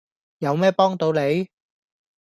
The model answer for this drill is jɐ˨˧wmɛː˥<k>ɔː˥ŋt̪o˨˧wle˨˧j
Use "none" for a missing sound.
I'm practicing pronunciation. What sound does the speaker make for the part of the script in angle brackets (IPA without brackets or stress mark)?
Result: p